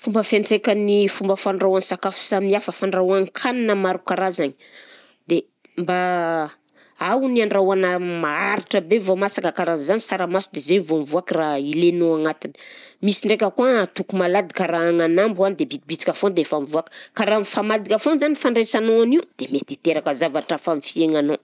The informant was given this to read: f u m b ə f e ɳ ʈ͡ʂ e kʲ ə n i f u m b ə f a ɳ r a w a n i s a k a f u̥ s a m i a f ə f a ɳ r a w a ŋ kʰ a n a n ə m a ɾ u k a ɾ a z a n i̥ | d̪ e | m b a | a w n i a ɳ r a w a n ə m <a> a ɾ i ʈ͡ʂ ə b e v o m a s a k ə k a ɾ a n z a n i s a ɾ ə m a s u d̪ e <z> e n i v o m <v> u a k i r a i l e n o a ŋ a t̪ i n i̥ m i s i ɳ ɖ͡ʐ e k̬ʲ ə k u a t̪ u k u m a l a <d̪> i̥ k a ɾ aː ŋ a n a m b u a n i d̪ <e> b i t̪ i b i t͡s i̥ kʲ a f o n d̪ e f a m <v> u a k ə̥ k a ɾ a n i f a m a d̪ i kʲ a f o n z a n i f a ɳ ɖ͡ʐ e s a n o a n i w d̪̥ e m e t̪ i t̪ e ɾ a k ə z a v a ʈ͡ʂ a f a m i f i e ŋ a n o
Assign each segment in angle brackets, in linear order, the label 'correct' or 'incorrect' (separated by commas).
correct, correct, correct, correct, correct, correct